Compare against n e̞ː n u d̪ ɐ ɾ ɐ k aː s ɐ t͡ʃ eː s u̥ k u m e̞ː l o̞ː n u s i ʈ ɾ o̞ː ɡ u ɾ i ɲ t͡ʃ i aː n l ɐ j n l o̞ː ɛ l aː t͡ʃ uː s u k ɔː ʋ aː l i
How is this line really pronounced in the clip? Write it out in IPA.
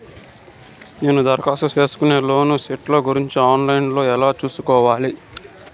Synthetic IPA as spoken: n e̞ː n u d̪ ɐ ɾ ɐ k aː s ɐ t͡ʃ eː s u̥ k u n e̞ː l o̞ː n u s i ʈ l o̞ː ɡ u ɾ i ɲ t͡ʃ i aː n l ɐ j n l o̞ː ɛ l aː t͡ʃ uː s u k ɔː ʋ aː l i